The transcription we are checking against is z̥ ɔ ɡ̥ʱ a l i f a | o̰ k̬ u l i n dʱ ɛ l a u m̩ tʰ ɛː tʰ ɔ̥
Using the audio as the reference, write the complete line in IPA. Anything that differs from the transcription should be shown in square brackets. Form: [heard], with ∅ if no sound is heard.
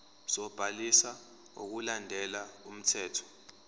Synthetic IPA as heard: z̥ ɔ [b̥ʱ] a l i [s] a | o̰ k̬ u l [a] n dʱ ɛ l a u m̩ tʰ ɛː tʰ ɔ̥

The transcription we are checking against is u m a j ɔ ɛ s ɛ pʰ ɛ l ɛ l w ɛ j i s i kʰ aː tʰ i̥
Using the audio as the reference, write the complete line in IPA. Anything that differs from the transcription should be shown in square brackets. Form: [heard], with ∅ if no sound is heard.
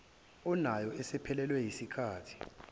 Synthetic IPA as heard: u [n] a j ɔ ɛ s ɛ pʰ ɛ l ɛ l w ɛ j i s i kʰ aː tʰ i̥

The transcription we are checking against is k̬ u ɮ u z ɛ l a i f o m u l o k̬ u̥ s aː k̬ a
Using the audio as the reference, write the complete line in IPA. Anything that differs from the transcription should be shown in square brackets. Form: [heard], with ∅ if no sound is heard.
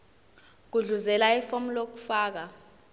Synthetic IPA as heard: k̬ u ɮ u z ɛ l a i f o m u l o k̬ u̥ [f] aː k̬ a

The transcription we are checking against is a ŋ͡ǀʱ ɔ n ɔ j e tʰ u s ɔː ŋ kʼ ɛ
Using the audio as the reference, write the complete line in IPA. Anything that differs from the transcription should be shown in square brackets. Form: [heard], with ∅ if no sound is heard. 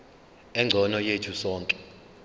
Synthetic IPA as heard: [ɛ] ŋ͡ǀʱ ɔ n ɔ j e tʰ u s ɔː ŋ kʼ ɛ

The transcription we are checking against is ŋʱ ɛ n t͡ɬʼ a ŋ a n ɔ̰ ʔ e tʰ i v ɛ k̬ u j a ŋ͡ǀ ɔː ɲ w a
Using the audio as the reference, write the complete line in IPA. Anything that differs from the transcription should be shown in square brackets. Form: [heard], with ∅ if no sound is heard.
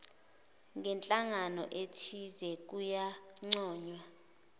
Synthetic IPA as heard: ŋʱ ɛ n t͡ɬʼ a ŋ a n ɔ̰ ʔ e tʰ i [z] ɛ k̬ u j a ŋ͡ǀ ɔː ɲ w a

